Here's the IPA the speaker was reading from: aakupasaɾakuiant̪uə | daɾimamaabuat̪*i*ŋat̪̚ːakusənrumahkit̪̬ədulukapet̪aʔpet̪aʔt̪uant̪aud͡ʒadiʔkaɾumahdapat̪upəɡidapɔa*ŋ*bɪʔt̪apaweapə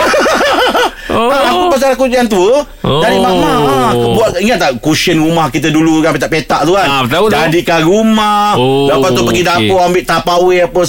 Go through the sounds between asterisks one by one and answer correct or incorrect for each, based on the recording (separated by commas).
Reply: correct, incorrect